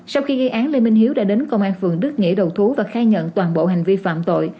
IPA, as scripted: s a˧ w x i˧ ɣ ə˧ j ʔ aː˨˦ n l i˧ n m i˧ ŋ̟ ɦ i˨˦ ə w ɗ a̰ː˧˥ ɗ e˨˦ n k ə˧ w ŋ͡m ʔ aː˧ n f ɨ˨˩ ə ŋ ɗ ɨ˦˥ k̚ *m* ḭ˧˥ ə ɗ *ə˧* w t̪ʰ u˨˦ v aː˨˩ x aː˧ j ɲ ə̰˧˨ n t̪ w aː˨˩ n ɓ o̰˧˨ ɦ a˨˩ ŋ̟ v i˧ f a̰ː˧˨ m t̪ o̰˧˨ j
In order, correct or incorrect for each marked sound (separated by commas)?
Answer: incorrect, incorrect